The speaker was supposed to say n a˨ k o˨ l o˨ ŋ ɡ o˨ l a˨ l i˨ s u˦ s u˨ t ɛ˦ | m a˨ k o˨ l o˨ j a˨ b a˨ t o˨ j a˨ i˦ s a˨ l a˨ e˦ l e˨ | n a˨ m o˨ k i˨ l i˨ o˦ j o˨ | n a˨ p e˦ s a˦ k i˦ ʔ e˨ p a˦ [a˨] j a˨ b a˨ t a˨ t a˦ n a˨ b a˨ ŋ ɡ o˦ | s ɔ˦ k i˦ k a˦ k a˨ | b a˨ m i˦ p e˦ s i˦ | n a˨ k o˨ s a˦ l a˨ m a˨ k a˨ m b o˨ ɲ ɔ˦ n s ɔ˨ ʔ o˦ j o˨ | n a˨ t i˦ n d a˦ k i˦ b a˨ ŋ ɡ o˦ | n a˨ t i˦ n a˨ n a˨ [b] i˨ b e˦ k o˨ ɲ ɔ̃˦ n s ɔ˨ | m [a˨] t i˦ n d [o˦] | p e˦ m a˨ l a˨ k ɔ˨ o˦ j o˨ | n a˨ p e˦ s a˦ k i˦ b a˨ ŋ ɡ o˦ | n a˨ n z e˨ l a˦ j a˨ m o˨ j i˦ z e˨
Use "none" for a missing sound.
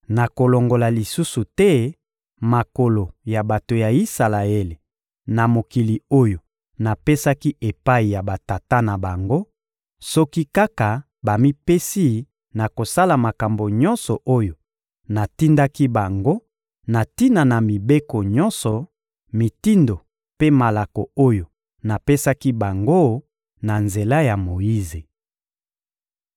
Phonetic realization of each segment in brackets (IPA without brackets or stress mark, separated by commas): i˨, m, i˨, o˨